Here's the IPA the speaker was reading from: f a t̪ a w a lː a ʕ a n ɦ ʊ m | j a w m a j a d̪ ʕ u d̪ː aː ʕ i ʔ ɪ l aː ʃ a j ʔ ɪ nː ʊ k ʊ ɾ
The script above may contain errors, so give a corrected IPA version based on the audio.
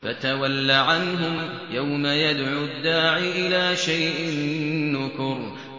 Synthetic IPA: f a t̪ a w a lː a ʕ a n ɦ ʊ m | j a w m a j a d̪ ʕ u d̪ː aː ʕ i ʔ ɪ l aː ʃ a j ʔ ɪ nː ʊ k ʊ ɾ

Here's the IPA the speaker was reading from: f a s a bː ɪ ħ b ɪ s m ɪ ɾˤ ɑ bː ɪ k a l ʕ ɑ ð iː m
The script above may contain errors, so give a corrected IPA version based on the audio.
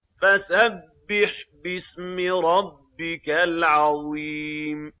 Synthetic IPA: f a s a bː ɪ ħ b ɪ s m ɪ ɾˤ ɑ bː ɪ k a l ʕ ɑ ð iː m

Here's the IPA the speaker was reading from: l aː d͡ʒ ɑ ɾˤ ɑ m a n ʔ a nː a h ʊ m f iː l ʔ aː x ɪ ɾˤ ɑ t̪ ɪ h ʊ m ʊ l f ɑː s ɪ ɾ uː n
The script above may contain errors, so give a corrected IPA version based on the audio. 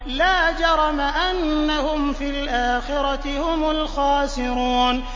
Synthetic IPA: l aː d͡ʒ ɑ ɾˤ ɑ m a ʔ a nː a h ʊ m f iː l ʔ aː x ɪ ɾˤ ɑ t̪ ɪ h ʊ m ʊ l x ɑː s ɪ ɾ uː n

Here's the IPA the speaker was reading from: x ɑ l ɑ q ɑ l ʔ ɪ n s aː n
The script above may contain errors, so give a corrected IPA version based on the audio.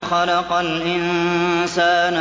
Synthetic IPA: x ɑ l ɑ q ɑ l ʔ ɪ n s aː n

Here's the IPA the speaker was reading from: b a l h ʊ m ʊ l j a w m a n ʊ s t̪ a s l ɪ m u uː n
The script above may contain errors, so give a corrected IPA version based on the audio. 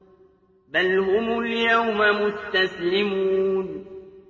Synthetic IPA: b a l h ʊ m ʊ l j a w m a m ʊ s t̪ a s l ɪ m u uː n

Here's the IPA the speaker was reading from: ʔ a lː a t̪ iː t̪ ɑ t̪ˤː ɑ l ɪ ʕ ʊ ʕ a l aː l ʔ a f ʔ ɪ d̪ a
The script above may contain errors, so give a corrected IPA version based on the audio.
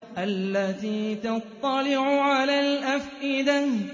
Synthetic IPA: ʔ a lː a t̪ iː t̪ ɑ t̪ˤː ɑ l ɪ ʕ ʊ ʕ a l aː l ʔ a f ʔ ɪ d̪ a

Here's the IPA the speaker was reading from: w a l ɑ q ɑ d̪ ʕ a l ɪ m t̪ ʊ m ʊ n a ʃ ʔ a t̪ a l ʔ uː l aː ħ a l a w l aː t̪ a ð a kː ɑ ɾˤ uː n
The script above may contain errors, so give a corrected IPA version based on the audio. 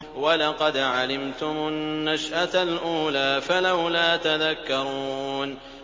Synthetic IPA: w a l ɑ q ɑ d̪ ʕ a l ɪ m t̪ ʊ m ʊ nː a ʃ ʔ a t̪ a l ʔ uː l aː f a l a w l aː t̪ a ð a kː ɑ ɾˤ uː n

